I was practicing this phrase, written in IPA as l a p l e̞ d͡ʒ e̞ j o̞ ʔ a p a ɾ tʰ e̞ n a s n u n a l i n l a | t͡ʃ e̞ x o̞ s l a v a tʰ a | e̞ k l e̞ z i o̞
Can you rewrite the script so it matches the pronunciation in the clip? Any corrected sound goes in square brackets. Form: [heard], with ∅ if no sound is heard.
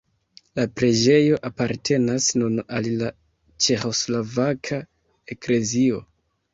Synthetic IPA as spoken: l a p [ɾ] e̞ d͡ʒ e̞ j o̞ ʔ a p a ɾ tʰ e̞ n a s n u n a l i [∅] l a | t͡ʃ e̞ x o̞ s l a v a [kʰ] a | e̞ k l e̞ z i o̞